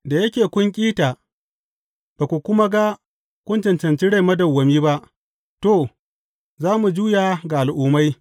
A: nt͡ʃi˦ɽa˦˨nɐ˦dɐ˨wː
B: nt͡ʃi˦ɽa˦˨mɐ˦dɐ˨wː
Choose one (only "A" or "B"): B